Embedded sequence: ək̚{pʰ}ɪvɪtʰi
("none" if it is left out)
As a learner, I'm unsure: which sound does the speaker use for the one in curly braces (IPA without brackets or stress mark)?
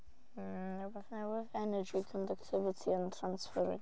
tʰ